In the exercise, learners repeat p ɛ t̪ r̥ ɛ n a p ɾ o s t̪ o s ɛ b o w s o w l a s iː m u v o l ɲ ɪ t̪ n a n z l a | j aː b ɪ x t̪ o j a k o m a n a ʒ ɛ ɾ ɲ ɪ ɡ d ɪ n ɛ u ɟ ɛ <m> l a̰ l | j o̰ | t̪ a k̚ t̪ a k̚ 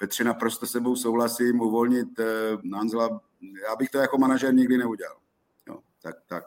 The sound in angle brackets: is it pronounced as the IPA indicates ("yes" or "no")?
no